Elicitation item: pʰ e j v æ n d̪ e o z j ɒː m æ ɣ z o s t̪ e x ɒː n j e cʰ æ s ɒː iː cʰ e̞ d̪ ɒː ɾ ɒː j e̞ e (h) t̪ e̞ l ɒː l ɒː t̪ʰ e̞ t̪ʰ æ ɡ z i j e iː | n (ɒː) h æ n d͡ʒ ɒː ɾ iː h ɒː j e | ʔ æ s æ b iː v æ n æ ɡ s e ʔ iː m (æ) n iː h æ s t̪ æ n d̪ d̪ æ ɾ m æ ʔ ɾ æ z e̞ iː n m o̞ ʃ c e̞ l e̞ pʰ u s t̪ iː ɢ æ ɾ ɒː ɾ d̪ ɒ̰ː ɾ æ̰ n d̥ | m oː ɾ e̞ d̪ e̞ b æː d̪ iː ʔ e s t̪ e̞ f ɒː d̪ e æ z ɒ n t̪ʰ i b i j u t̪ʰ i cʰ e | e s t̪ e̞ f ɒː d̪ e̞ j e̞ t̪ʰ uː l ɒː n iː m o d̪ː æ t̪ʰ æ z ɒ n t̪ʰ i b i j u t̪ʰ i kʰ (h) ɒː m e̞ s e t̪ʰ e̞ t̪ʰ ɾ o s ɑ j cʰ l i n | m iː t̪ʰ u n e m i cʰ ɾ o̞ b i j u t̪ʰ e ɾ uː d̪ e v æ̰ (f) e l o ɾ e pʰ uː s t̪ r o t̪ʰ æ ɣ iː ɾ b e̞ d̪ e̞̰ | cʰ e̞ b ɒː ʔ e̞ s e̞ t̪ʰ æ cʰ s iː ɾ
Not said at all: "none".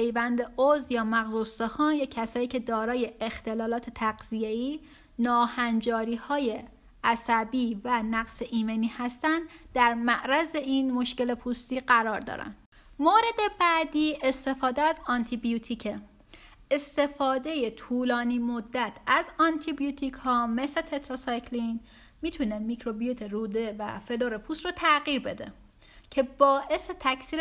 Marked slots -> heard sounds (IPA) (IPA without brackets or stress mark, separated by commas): x, ɒː, e, h, f